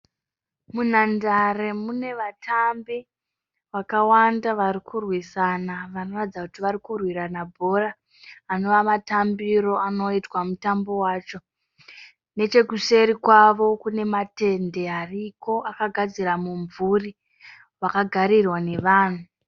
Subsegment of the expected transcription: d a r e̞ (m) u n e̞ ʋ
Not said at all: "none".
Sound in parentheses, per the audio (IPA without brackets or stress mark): m